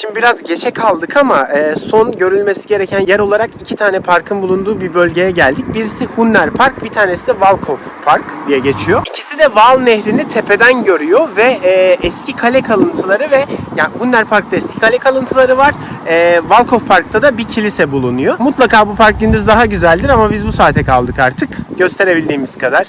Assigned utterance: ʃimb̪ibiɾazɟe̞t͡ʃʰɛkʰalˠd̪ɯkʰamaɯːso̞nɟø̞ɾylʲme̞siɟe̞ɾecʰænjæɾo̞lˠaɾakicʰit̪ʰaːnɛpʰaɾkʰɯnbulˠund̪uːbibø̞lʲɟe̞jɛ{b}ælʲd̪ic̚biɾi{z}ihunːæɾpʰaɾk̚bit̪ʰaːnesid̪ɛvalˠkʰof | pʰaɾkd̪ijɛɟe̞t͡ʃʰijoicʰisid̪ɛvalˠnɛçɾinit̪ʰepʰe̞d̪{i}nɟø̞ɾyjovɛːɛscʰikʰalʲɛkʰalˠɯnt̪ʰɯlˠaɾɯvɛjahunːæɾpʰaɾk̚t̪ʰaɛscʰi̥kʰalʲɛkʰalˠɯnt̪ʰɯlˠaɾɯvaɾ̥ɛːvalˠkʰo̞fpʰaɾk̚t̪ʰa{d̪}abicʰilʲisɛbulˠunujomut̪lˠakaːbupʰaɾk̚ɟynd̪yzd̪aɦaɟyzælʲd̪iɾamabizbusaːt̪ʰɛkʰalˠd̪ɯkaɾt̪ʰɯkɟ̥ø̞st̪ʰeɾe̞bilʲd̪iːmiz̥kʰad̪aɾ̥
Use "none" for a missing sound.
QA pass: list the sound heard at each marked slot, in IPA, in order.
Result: ɟ, s, æ, d̪

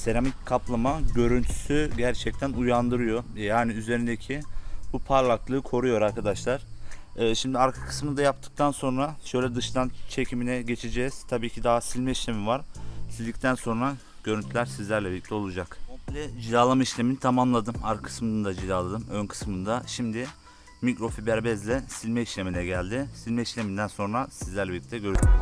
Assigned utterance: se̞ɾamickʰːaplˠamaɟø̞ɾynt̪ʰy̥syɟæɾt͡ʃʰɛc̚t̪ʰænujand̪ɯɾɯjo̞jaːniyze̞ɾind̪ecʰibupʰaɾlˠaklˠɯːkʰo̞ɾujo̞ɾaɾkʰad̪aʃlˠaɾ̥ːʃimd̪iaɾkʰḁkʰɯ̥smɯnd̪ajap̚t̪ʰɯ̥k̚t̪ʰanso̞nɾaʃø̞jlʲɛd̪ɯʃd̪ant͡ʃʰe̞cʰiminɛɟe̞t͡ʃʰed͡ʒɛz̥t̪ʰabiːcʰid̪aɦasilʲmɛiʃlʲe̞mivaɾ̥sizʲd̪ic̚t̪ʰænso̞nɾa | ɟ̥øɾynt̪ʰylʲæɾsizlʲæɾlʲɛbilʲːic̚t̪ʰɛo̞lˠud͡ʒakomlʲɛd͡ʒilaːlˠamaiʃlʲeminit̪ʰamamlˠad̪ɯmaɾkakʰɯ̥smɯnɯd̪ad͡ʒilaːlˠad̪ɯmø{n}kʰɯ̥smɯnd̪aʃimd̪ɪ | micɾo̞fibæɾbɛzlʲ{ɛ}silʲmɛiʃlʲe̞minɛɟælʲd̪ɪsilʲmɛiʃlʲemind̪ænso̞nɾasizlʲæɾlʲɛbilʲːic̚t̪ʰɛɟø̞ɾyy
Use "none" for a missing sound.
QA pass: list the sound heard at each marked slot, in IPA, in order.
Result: n, ɛ

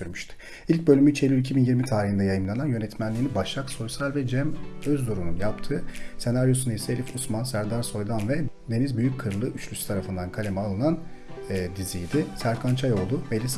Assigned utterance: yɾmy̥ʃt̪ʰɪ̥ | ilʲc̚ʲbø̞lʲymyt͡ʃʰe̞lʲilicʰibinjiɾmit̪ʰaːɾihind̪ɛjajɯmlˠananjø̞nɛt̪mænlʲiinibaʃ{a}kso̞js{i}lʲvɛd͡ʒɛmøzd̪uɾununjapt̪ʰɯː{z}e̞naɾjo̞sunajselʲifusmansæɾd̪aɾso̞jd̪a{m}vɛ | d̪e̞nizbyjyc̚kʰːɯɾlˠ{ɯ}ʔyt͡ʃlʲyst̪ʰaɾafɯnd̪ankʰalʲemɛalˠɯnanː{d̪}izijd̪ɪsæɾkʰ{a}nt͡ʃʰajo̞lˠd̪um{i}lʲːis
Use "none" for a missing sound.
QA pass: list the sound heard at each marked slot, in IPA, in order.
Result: a, a, s, n, ɯ, d̪, a, e

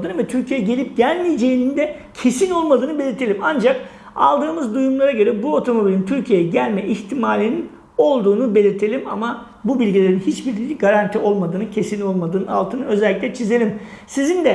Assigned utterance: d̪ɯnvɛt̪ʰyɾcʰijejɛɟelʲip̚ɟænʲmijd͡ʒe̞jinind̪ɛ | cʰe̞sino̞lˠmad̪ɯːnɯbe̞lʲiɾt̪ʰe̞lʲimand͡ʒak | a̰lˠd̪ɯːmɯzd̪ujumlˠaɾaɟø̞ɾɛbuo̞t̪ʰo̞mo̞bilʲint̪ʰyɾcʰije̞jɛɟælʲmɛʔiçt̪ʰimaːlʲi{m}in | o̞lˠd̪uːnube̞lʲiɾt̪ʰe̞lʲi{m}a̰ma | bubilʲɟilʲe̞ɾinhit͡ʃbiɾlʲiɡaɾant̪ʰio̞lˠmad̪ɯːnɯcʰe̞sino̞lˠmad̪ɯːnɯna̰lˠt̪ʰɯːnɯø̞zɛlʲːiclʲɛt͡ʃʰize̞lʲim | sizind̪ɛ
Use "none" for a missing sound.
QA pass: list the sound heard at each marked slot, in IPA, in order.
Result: n, m

